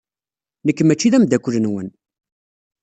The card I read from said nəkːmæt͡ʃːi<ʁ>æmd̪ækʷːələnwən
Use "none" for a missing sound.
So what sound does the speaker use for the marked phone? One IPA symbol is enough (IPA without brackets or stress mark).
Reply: ð